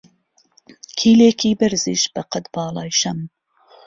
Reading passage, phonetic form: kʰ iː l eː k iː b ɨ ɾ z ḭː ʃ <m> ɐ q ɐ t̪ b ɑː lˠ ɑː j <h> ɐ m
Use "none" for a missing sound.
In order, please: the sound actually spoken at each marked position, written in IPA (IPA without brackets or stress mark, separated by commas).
b, ʃ